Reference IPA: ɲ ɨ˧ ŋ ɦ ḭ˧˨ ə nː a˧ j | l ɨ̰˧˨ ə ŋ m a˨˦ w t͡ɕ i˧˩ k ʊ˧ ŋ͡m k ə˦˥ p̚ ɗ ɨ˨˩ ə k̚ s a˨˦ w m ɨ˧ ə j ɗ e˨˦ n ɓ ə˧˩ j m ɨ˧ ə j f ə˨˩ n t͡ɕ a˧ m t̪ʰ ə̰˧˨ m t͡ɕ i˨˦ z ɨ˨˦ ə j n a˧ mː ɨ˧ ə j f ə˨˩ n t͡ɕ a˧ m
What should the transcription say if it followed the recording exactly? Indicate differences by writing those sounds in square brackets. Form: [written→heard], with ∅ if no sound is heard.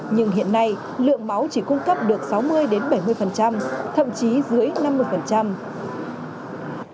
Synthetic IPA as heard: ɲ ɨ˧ ŋ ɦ ḭ˧˨ ə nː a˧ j | l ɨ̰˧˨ ə ŋ m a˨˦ w t͡ɕ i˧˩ k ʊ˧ ŋ͡m k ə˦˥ p̚ ɗ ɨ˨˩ ə k̚ s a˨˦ w m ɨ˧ ə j ɗ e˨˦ n ɓ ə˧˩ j m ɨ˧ ə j f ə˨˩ n t͡ɕ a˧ m t̪ʰ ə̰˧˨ m t͡ɕ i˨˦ z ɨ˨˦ ə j n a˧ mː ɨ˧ ə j f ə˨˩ n t͡ɕ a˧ m